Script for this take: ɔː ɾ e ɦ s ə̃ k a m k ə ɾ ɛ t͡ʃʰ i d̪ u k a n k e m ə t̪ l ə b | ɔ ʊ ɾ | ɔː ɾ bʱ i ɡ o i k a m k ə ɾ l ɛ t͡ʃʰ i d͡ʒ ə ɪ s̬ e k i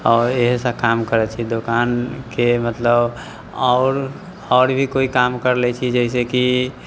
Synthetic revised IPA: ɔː ɾ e ɦ s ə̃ k a m k ə ɾ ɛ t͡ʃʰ i d̪ o k a n k e m ə t̪ l ə b | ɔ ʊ ɾ | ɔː ɾ bʱ i k o i k a m k ə ɾ l ɛ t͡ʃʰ i d͡ʒ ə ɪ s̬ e k i